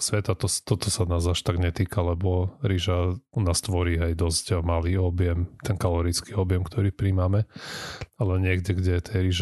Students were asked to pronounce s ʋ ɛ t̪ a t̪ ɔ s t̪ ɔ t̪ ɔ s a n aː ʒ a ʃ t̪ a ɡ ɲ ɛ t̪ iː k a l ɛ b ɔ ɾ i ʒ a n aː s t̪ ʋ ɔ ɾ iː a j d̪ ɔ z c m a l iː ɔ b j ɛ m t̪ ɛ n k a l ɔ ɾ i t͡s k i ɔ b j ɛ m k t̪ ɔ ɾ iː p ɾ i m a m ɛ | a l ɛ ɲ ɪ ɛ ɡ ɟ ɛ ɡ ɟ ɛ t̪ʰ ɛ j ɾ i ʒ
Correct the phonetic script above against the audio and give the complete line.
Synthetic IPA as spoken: s ʋ ɛ t̪ a t̪ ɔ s t̪ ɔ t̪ ɔ s a n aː z a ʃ t̪ a ɡ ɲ ɛ t̪ iː k a l ɛ b ɔ ɾ i ʒ a n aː s t̪ ʋ ɔ ɾ iː a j d̪ ɔ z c m a l iː ɔ b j ɛ m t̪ ɛ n k a l ɔ ɾ i t͡s k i ɔ b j ɛ m k t̪ ɔ ɾ iː p ɾ i m a m ɛ | a l ɛ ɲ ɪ ɛ ɡ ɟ ɛ ɡ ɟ ɛ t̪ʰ ɛ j ɾ i ʒ